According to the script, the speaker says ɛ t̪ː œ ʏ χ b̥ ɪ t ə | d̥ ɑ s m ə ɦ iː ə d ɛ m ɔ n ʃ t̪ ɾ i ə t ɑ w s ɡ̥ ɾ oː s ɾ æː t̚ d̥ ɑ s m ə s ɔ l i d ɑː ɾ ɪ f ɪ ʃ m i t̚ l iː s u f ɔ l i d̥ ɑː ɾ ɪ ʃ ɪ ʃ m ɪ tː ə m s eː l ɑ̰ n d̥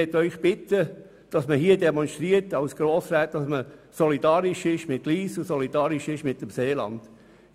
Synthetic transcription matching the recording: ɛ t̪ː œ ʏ χ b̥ ɪ t ə | d̥ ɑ s m ə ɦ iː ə d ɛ m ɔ n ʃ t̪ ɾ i ə t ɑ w s ɡ̥ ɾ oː s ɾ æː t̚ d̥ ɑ s m ə s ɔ l i d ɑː ɾ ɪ ʃ ɪ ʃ m ɪ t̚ l iː s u s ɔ l i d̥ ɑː ɾ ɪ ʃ ɪ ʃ m ɪ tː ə m s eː l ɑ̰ n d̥